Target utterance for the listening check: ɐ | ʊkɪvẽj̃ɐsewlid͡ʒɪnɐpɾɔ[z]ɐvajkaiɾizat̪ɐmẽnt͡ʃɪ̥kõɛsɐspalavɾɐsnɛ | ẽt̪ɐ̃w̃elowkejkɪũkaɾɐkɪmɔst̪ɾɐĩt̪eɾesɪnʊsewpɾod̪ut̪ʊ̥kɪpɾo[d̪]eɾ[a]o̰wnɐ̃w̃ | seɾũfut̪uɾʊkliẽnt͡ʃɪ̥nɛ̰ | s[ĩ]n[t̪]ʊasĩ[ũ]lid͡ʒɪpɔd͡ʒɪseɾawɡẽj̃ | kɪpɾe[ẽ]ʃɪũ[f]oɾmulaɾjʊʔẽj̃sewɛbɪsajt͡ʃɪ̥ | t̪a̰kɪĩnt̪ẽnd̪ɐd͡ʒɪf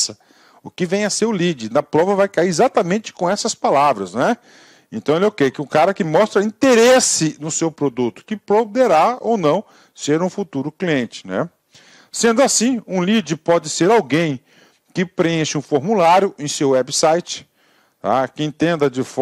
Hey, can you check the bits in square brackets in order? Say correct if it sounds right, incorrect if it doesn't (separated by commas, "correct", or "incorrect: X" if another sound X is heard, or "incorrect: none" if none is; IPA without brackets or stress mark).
incorrect: v, correct, correct, incorrect: ẽ, incorrect: d̪, correct, correct, correct